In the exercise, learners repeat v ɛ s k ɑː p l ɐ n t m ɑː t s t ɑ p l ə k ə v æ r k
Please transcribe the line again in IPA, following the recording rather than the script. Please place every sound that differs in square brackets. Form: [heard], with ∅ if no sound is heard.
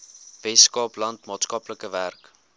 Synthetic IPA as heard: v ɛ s k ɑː p l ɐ n t m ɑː t s [k] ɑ p l ə k ə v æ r k